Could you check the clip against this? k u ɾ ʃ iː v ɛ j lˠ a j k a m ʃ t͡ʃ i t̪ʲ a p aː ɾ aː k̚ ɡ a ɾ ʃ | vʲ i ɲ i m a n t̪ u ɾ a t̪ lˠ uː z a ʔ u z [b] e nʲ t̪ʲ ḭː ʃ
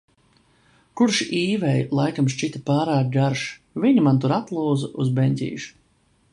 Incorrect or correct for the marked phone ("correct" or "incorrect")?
correct